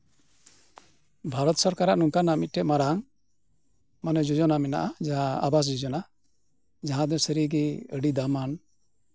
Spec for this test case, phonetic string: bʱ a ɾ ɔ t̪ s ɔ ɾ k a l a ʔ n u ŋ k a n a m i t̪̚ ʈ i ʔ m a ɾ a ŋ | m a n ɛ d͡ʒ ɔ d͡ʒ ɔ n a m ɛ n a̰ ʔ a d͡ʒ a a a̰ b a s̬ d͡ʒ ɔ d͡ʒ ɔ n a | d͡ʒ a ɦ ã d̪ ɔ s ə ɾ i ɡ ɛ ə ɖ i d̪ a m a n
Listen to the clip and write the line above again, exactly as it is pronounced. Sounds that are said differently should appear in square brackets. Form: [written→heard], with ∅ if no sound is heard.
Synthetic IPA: bʱ a ɾ ɔ t̪ s ɔ ɾ k a [l→ɾ] a ʔ n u ŋ k a n a m i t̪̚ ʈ [i→ɛ] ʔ m a ɾ a ŋ | m a n ɛ d͡ʒ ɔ d͡ʒ ɔ n a m ɛ n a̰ ʔ a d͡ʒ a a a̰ b a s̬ d͡ʒ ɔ d͡ʒ ɔ n a | d͡ʒ a ɦ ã d̪ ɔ s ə ɾ i ɡ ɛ ə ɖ i d̪ a m a n